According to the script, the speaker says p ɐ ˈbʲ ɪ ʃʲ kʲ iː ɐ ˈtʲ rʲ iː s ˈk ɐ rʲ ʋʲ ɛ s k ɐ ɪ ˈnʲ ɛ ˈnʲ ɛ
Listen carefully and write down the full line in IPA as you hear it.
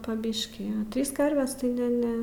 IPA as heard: p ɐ ˈbʲ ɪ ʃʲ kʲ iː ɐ ˈtʲ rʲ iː s ˈk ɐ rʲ ʋʲ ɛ s t ɐ ɪ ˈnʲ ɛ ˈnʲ ɛ